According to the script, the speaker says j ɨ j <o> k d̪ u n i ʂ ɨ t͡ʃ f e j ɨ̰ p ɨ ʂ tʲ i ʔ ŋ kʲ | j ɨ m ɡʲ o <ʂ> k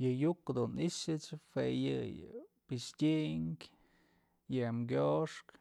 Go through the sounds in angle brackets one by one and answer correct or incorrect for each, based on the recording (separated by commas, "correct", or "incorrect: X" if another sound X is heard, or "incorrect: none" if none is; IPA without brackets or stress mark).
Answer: incorrect: u, correct